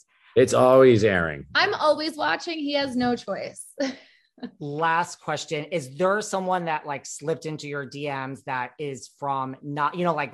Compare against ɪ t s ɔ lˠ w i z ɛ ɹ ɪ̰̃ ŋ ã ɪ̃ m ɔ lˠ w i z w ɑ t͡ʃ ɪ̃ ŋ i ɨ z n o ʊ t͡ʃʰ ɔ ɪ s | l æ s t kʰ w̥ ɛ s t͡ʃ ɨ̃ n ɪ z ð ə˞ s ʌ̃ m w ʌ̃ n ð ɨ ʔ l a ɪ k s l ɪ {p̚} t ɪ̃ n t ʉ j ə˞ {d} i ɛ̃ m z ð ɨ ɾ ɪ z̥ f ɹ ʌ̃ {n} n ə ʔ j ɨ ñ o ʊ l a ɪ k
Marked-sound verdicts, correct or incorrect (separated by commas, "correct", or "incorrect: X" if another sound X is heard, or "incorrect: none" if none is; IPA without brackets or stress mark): correct, correct, incorrect: m